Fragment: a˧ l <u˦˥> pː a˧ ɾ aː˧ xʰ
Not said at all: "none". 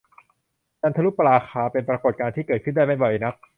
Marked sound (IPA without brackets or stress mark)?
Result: u˦˥